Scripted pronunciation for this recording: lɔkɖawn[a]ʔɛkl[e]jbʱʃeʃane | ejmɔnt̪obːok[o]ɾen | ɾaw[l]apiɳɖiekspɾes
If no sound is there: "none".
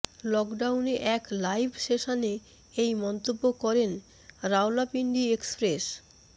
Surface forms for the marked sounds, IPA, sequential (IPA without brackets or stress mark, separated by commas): e, a, ɔ, l